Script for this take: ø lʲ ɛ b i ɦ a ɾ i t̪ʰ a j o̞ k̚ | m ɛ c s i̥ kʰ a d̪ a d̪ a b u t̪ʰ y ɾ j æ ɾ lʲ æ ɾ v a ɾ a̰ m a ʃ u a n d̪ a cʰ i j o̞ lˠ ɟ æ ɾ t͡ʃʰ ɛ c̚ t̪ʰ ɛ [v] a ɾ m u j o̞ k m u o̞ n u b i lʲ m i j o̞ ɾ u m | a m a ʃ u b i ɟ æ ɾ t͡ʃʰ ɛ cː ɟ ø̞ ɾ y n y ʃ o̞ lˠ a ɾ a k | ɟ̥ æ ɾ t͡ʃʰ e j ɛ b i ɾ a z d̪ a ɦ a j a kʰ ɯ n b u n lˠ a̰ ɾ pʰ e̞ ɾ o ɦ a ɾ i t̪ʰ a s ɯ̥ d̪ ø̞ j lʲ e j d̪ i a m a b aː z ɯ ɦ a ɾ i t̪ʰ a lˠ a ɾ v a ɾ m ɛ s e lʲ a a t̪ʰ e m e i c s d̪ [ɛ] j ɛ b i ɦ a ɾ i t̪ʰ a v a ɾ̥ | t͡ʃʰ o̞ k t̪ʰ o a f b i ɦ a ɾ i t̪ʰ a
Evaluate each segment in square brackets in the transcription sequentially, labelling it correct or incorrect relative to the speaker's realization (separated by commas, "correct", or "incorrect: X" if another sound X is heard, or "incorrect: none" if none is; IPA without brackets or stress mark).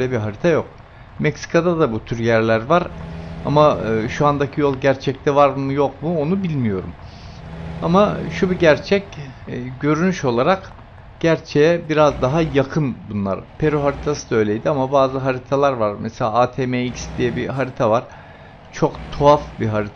correct, incorrect: i